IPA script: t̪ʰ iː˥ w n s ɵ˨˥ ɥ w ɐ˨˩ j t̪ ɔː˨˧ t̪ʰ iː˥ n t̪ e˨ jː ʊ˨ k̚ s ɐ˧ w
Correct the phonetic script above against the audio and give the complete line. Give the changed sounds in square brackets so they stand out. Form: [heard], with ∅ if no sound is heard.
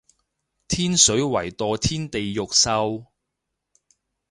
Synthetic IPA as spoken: t̪ʰ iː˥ [∅] n s ɵ˨˥ ɥ w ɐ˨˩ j t̪ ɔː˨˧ t̪ʰ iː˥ n t̪ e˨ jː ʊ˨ k̚ s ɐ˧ w